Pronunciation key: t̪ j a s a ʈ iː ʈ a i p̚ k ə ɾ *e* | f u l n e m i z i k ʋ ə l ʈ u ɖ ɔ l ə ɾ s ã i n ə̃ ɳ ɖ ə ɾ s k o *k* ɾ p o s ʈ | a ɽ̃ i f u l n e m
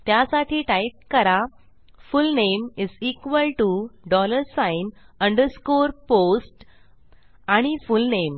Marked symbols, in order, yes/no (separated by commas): no, no